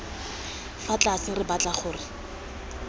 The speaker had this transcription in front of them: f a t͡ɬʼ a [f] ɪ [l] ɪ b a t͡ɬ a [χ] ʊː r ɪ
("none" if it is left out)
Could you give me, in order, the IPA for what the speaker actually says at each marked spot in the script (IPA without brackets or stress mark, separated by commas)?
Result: s, r, χ